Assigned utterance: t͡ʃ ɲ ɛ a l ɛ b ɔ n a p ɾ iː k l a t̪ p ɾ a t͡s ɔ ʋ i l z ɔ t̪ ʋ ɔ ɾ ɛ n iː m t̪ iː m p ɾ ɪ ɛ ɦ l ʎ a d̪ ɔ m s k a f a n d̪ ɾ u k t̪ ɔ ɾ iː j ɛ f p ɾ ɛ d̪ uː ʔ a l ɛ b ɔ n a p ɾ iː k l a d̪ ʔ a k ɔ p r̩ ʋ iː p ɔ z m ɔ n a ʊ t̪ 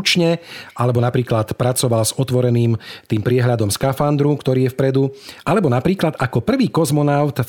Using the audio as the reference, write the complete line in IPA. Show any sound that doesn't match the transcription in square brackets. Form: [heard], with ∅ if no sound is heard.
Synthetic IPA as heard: t͡ʃ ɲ ɛ a l ɛ b ɔ n a p ɾ iː k l a t̪ p ɾ a t͡s ɔ ʋ [a] l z ɔ t̪ ʋ ɔ ɾ ɛ n iː m t̪ iː m p ɾ ɪ ɛ ɦ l ʎ a d̪ ɔ m s k a f a n d̪ ɾ u k t̪ ɔ ɾ iː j ɛ f p ɾ ɛ d̪ [u] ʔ a l ɛ b ɔ n a p ɾ iː k l a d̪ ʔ a k ɔ p r̩ ʋ iː [k] ɔ z m ɔ n a ʊ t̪